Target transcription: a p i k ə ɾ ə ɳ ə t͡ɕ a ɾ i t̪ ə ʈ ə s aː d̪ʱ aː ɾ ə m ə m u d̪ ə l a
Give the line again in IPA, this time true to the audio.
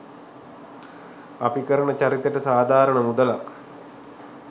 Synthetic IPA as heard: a p i k ə ɾ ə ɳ ə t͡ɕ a ɾ i t̪ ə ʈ ə s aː d̪ʱ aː ɾ ə ɳ ə m u d̪ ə l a